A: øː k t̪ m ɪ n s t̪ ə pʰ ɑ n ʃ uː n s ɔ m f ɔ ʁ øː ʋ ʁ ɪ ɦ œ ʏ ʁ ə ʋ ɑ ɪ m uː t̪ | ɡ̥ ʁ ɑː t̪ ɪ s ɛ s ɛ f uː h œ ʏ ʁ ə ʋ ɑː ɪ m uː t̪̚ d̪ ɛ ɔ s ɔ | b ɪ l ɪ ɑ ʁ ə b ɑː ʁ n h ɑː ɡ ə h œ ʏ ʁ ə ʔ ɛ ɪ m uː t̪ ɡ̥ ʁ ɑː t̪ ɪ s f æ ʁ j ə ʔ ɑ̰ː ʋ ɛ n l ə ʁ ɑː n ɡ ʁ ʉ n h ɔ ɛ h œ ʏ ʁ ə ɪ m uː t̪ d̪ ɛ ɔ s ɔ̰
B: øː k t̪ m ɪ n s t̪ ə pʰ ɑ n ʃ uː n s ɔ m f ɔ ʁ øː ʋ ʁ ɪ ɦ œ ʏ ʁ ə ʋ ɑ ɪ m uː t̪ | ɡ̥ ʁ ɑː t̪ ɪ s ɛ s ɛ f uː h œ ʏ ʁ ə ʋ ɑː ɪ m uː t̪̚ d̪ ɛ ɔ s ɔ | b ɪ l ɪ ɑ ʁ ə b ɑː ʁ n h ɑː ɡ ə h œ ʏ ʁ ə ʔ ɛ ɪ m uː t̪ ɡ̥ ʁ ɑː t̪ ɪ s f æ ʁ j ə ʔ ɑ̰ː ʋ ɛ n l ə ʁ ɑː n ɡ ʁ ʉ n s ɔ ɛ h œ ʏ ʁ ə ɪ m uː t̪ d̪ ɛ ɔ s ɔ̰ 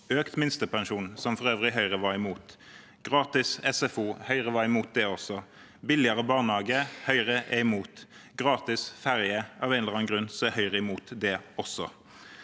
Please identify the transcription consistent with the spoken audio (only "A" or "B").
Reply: B